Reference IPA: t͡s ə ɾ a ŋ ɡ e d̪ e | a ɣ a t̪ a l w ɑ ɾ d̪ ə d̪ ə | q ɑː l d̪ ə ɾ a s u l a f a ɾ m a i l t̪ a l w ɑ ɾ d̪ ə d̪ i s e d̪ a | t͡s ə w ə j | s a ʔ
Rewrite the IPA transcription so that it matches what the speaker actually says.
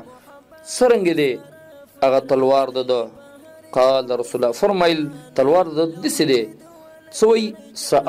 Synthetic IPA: t͡s ə ɾ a ŋ ɡ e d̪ e | a ɣ a t̪ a l w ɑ ɾ d̪ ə d̪ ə | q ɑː l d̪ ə ɾ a s u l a f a ɾ m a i l t̪ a l w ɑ ɾ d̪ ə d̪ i s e d̪ e | t͡s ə w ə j | s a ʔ

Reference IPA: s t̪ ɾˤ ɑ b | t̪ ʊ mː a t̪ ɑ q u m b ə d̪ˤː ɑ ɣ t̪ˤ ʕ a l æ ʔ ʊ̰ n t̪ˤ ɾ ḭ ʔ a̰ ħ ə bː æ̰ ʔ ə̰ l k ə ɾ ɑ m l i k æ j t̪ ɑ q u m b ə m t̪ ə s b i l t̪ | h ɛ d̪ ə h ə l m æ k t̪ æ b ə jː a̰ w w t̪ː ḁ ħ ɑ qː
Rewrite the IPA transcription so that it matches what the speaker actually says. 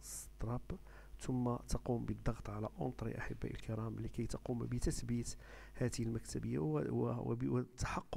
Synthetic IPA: s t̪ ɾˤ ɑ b | t̪ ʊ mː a t̪ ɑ q u m b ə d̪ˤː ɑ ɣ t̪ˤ ʕ a l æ ʔ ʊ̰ n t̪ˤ ɾ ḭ ʔ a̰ ħ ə bː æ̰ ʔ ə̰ l k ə ɾ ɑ m l i k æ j t̪ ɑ q u m b ə t̪ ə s b i t̪ | h æ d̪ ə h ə l m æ k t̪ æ b ə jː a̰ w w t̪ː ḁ ħ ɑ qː

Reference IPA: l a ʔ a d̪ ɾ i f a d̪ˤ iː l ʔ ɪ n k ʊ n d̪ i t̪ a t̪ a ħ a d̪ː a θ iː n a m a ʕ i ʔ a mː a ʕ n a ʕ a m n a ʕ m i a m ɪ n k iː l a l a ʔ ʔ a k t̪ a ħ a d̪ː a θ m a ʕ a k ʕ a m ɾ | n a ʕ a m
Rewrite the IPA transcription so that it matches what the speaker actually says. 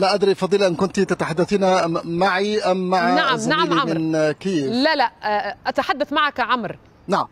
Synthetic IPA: l a ʔ a d̪ ɾ i f ɑ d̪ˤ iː l ʔ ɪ n k ʊ n t̪ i t̪ a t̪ a ħ a d̪ː a θ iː n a m a ʕ i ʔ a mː a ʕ n a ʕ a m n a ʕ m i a m ɪ n k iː l a l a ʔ ʔ a t̪ a ħ a d̪ː a θ m a ʕ a k ʕ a m ɾ | n a ʕ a m

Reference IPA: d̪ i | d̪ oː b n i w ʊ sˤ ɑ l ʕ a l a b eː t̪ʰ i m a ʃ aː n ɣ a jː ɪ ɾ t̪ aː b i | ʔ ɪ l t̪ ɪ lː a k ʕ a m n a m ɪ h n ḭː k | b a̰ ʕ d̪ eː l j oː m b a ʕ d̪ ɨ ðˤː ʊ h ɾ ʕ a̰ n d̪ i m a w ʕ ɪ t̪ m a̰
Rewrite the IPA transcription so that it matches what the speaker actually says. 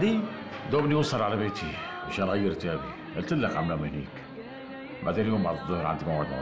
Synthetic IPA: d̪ i | d̪ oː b n i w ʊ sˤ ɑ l ʕ a l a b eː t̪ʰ i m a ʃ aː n ɣ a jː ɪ ɾ t̪ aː b i | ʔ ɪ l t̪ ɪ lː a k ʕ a m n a m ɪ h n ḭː k | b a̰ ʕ d̪ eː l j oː m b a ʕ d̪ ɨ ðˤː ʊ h ɾ ʕ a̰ n d̪ i m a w ʕ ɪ d̪ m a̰

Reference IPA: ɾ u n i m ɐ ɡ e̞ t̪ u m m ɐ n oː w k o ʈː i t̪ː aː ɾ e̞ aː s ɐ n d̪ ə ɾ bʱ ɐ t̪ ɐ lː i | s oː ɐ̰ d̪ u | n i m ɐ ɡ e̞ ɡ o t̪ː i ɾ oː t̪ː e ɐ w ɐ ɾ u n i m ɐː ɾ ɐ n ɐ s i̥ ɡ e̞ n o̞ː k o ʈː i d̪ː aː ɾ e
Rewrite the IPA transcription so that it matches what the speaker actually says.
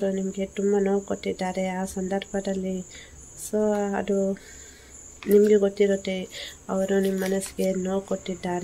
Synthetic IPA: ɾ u n i m ɐ ɡ e̞ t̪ u m b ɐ n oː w k o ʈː i d̪ː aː ɾ e̞ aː s ɐ n d̪ ɐ ɾ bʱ ɐ d̪ ɐ lː i | s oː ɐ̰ d̪ u | n i m ɐ ɡ e̞ ɡ o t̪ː i ɾ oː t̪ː e ɐ ʋ ɐ ɾ u n i m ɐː ɐ n ɐ s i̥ ɡ e̞ n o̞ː k o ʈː i d̪ː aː ɾ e

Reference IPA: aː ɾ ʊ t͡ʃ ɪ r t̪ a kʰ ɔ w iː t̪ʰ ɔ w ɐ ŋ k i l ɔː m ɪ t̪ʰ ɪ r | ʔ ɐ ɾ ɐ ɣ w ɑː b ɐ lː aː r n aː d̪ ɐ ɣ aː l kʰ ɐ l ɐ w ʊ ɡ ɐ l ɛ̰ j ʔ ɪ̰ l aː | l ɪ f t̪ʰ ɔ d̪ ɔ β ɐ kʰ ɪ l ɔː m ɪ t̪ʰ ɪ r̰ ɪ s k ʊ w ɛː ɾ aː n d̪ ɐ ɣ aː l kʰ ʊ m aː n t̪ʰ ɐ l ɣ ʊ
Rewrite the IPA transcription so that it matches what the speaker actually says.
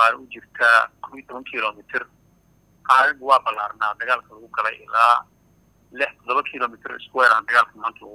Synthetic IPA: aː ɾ ʊ t͡ʃ ɪ r t̪ʰ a kʰ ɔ w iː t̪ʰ ɔ β ɐ ŋ kʰ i l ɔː m ɪ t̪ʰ ɪ r | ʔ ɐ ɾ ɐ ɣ w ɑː b ɐ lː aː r n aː d̪ ɐ ɣ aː l kʰ ɐ l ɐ ɣ ʊ ɡ ɐ l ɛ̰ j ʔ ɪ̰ l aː | l ɪ ħ t̪ʰ ɔ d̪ ɔ β ɐ kʰ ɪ l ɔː m ɪ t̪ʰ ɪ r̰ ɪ s k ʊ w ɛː ɾ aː n d̪ ɐ ɣ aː l kʰ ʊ m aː n t̪ʰ ɐ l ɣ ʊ

